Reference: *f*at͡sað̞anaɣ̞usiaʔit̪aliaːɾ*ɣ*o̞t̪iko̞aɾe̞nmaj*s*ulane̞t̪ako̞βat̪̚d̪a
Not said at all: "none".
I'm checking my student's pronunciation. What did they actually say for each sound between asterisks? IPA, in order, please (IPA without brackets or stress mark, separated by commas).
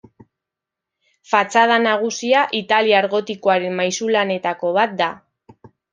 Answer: f, ɣ, s